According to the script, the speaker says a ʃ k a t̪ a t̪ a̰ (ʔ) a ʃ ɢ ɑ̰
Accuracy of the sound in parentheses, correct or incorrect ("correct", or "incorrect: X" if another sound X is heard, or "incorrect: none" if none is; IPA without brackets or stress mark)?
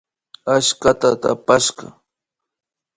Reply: incorrect: p